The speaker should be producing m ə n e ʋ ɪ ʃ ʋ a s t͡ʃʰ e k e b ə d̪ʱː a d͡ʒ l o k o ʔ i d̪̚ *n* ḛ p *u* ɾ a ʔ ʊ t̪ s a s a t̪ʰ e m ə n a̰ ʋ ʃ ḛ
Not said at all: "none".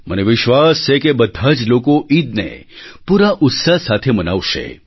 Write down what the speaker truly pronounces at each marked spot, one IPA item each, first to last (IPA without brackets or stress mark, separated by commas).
n, u